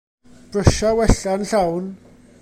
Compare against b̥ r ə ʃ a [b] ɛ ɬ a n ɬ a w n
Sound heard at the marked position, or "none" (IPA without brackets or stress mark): w